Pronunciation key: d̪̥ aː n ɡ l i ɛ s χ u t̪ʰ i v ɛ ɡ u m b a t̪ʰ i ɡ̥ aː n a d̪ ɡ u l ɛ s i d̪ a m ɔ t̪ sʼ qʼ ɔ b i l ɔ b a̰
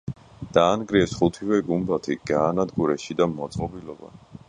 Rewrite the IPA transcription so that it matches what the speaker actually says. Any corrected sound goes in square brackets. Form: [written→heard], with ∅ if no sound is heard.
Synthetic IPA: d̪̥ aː n ɡ [l→ɾ] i ɛ s χ u t̪ʰ i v ɛ ɡ u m b a t̪ʰ i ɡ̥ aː n a d̪ ɡ u [l→ɾ] ɛ [s→ʃ] i d̪ a m ɔ t̪ sʼ qʼ ɔ b i l ɔ b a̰